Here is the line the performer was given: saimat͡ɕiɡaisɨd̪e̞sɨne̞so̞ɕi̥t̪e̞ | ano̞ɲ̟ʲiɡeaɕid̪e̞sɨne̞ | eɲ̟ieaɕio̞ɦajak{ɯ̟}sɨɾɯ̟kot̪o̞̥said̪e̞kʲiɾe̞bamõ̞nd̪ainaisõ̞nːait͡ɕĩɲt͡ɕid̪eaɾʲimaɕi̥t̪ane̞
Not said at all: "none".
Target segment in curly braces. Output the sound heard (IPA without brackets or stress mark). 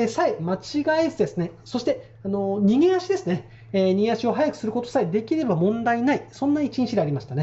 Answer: ɯ̟